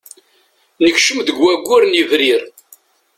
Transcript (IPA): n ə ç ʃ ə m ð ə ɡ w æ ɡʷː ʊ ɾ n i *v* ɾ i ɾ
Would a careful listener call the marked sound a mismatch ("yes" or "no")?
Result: no